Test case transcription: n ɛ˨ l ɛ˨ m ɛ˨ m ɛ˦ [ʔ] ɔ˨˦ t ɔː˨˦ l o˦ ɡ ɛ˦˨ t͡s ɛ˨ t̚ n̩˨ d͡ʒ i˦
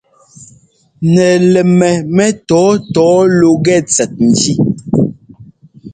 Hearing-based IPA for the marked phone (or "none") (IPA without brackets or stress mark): t